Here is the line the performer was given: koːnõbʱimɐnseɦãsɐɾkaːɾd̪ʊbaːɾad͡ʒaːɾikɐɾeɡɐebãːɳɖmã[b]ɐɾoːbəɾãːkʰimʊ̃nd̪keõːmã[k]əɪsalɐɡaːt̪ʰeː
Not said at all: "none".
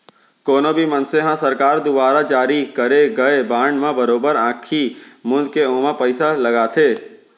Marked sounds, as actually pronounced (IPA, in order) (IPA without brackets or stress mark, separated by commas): b, p